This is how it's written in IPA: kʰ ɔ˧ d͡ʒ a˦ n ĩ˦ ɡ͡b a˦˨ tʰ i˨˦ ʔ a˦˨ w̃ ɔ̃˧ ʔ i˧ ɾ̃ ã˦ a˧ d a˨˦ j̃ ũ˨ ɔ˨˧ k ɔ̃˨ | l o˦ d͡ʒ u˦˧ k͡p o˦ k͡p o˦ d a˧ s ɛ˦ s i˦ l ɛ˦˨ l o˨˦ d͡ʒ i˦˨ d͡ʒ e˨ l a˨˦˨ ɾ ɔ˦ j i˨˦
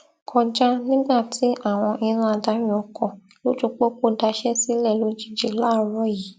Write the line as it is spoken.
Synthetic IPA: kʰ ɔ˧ d͡ʒ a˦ n ĩ˦ ɡ͡b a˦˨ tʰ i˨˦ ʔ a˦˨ w̃ ɔ̃˧ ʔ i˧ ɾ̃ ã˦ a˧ d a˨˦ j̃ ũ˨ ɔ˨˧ k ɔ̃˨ | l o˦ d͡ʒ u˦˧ k͡p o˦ k͡p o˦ d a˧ ʃ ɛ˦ s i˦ l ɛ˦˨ l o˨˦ d͡ʒ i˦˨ d͡ʒ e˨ l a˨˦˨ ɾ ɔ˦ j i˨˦